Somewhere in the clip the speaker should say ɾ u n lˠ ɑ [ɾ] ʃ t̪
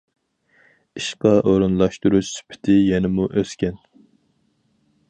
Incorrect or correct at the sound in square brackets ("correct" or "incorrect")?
incorrect